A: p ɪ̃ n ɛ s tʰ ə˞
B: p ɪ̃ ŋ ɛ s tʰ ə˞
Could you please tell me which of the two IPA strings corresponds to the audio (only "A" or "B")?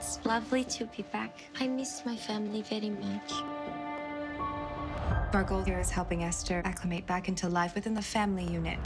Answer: B